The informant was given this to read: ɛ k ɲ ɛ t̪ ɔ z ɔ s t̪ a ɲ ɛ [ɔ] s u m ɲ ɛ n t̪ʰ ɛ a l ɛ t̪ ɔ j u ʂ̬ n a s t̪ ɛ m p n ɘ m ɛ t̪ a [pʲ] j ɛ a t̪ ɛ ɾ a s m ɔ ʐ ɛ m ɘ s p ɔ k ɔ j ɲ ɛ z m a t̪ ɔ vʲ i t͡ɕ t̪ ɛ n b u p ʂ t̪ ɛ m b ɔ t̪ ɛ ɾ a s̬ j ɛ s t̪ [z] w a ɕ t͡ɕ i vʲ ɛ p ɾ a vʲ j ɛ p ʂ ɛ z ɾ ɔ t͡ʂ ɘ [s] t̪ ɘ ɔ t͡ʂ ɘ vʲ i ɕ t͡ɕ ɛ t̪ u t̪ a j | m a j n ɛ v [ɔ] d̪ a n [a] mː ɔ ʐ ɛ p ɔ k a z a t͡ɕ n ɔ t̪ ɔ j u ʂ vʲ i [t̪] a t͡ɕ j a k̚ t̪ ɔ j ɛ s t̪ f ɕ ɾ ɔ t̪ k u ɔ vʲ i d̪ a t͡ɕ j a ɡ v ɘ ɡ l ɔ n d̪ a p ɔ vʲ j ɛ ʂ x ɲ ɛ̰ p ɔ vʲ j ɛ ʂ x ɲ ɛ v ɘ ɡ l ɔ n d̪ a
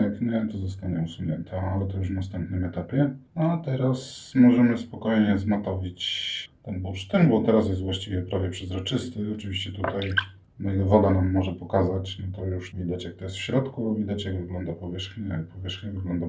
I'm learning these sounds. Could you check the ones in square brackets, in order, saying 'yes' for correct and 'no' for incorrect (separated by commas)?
no, yes, no, yes, yes, yes, no